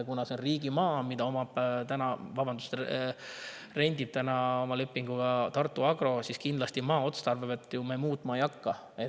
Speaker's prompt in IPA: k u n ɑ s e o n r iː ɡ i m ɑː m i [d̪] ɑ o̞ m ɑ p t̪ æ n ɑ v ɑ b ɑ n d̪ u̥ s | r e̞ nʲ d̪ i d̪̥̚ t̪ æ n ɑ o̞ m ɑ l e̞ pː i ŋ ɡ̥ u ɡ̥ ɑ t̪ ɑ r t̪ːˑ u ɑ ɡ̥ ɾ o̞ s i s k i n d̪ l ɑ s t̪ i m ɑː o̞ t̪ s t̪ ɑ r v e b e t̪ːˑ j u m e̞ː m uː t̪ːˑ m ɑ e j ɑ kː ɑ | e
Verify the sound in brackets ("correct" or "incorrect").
correct